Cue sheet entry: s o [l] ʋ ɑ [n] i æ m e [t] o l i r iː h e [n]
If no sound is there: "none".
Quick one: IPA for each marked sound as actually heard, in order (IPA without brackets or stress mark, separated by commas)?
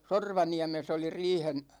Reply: r, n, s, n